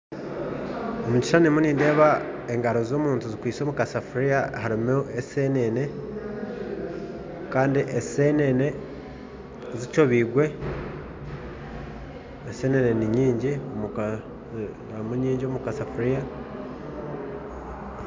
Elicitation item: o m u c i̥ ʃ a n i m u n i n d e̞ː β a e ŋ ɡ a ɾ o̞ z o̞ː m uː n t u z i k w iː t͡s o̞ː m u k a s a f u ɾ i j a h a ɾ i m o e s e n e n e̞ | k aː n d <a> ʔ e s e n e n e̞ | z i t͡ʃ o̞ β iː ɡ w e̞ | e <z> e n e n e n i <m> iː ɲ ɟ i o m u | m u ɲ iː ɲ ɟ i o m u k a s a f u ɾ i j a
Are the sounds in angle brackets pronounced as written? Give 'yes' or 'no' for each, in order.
no, no, no

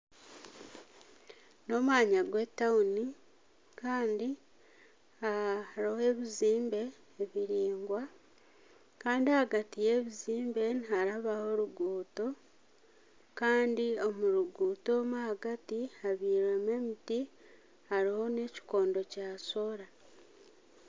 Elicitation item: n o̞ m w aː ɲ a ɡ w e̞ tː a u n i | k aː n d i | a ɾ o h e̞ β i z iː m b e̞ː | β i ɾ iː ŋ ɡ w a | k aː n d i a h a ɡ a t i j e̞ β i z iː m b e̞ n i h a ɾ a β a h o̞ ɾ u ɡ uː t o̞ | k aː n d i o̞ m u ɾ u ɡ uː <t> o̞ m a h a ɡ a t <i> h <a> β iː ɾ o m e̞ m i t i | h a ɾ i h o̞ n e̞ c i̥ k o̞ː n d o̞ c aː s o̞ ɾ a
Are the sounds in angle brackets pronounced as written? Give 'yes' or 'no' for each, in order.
yes, yes, yes

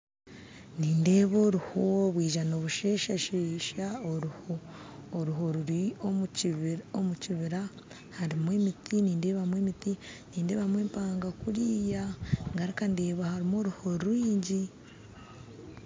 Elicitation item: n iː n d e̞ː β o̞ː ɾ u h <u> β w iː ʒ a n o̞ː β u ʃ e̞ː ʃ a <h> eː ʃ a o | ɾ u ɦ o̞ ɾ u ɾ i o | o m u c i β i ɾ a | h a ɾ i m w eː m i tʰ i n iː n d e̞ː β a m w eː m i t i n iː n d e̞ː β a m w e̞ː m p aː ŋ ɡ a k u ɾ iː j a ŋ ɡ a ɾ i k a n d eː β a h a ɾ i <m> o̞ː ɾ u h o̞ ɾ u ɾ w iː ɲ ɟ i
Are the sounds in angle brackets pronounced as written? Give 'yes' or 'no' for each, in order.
no, no, yes

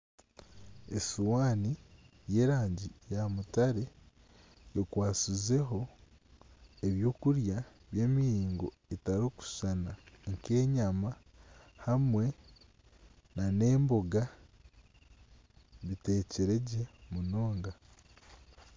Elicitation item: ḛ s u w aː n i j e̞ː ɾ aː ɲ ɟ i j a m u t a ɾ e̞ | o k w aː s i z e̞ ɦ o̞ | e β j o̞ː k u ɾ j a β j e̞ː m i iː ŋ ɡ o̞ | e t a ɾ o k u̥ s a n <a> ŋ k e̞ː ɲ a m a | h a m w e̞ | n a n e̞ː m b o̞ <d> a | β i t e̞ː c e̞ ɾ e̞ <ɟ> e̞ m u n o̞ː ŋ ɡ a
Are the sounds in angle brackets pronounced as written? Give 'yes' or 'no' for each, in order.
yes, no, yes

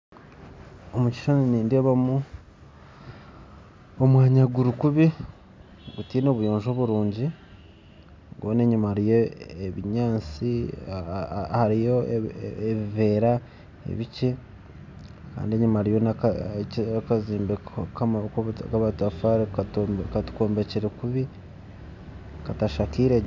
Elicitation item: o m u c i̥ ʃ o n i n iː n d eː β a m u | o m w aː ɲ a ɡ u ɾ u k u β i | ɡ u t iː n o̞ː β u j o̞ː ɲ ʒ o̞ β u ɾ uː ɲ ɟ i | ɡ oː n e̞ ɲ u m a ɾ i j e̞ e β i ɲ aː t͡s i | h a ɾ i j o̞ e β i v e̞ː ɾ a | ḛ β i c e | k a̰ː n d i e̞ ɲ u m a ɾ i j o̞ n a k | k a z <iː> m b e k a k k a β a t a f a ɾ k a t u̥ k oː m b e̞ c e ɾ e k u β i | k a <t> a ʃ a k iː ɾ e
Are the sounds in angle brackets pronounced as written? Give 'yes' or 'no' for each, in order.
yes, yes

